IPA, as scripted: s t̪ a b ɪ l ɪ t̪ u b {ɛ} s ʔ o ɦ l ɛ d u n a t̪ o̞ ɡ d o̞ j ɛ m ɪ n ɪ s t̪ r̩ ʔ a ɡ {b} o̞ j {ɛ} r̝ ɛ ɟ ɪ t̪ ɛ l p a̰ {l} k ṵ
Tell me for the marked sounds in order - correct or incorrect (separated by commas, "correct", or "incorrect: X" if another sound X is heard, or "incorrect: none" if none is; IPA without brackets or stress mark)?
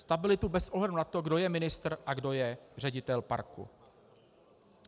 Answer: correct, incorrect: d, correct, incorrect: ɾ